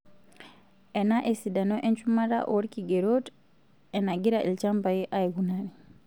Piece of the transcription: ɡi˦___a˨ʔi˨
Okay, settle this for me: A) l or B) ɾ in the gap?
B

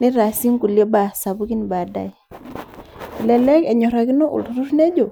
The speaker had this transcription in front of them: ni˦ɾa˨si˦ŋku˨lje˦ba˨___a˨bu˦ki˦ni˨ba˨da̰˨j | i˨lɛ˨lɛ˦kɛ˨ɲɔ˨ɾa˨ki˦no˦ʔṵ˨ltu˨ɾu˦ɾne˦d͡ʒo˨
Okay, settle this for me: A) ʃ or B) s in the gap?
B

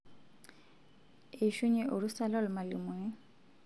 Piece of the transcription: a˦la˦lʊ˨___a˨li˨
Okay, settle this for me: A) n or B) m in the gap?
B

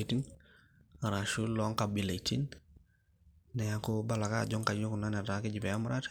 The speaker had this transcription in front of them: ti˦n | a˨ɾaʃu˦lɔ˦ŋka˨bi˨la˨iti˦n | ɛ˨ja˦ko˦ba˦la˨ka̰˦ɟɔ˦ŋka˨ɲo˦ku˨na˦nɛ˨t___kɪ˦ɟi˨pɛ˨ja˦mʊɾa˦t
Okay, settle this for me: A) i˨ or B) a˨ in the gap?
B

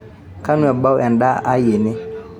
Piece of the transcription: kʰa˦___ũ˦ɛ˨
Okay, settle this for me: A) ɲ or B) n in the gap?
B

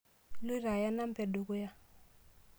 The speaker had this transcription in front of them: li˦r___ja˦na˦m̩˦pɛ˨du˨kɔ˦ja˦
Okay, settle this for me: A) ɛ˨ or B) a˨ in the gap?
B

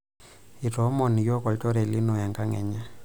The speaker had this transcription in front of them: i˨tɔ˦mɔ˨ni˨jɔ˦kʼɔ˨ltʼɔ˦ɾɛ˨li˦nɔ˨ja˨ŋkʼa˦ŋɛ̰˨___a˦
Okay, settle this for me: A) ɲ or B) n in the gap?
A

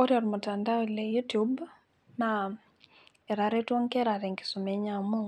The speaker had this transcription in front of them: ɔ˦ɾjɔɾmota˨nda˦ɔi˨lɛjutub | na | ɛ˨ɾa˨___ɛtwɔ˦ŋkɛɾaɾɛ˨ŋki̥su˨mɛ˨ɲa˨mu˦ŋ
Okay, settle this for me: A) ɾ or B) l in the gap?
A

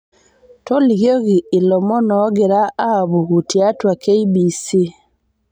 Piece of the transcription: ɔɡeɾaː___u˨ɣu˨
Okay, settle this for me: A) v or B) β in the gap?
B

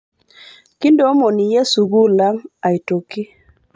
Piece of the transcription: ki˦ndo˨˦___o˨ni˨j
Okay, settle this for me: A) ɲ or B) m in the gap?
B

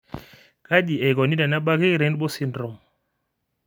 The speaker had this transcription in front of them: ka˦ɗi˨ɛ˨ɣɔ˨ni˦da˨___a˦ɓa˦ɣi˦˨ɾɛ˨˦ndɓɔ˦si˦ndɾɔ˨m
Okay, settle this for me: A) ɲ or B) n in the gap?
B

